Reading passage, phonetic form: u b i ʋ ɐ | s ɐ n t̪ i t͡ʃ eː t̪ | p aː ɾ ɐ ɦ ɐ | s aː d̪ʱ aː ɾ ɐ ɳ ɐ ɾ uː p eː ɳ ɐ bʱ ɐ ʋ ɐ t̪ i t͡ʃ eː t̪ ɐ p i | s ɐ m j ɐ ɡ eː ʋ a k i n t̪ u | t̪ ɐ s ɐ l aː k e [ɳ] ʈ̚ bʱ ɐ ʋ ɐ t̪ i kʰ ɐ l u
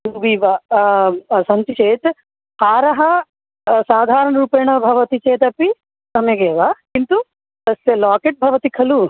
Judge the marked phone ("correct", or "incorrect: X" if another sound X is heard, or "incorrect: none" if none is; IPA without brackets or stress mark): incorrect: none